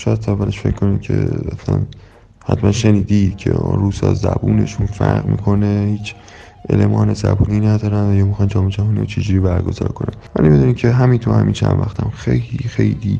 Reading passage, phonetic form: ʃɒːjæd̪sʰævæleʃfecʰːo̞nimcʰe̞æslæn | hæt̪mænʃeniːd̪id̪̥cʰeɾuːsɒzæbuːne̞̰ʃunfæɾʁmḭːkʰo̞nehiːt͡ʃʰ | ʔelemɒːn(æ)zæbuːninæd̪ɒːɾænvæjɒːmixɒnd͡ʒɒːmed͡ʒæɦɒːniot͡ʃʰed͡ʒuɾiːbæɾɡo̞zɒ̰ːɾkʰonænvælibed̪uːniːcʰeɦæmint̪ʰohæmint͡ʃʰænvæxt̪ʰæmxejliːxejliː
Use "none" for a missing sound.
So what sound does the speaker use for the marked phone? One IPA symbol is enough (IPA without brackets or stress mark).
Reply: e